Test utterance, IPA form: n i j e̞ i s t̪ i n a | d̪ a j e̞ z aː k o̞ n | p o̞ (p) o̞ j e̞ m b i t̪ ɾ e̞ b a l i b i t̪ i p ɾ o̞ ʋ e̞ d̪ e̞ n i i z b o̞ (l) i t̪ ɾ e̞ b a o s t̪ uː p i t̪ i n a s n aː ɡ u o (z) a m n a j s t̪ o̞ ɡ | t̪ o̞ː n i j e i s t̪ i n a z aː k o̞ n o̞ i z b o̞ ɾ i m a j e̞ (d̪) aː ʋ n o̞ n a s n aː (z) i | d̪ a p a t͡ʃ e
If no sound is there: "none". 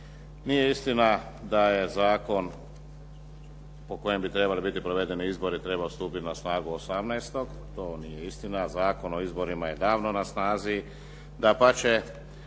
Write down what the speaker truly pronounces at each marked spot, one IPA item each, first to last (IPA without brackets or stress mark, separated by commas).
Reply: k, ɾ, s, d̪, z